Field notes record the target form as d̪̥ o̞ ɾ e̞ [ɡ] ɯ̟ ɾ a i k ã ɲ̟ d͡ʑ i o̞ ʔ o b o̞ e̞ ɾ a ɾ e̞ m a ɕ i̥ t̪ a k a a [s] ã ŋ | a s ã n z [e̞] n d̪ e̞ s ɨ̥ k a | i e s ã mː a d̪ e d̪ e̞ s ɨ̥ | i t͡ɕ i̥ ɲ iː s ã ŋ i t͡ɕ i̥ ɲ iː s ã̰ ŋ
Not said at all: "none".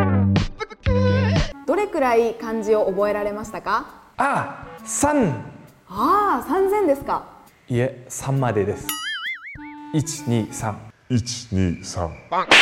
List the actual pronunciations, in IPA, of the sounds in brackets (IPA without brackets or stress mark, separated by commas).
k, s, ẽ̞